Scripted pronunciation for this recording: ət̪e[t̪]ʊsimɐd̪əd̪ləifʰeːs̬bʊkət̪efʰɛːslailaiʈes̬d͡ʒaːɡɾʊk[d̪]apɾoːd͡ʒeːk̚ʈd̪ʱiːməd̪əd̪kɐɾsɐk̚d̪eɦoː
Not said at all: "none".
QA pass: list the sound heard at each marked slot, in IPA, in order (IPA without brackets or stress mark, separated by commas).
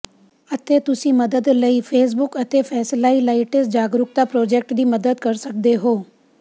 t̪, t̪